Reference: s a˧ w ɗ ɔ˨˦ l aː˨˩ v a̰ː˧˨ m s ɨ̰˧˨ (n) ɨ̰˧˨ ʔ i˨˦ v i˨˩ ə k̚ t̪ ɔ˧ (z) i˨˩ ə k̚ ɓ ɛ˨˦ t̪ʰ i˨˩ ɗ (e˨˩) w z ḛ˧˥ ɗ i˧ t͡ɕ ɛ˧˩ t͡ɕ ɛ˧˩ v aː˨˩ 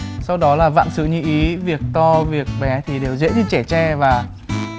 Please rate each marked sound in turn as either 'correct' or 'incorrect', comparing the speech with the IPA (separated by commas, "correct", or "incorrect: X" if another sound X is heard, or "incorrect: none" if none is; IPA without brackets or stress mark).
incorrect: ɲ, incorrect: v, correct